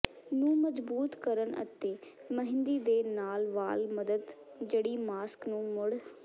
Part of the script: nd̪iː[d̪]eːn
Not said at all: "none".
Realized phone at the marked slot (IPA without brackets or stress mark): d̪